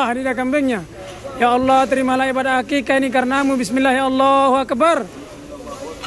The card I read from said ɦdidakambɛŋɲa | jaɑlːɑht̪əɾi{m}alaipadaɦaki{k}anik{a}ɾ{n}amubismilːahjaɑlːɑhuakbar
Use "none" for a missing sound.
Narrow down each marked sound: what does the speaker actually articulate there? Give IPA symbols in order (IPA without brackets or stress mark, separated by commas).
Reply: m, k, a, n